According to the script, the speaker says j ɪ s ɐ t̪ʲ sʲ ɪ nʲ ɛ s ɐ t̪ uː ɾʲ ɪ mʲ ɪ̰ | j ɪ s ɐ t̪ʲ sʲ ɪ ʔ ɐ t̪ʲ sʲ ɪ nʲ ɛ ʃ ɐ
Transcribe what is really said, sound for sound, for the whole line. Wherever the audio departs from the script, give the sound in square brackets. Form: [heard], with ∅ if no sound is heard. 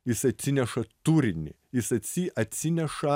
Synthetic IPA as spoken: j ɪ s ɐ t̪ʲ sʲ ɪ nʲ ɛ [ʃ] ɐ t̪ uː ɾʲ ɪ [nʲ] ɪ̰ | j ɪ s ɐ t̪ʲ sʲ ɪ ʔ ɐ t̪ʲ sʲ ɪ nʲ ɛ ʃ ɐ